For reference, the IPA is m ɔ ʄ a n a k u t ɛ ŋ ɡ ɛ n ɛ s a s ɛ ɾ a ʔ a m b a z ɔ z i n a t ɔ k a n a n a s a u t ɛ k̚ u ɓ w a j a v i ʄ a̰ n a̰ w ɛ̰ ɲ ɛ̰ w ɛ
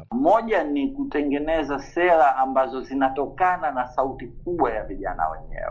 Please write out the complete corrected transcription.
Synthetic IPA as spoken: m ɔ ʄ a n i k u t ɛ ŋ ɡ ɛ n ɛ z a s ɛ ɾ a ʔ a m b a z ɔ z i n a t ɔ k a n a n a s a u t i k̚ u ɓ w a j a v i ʄ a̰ n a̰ w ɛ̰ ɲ ɛ̰ w ɛ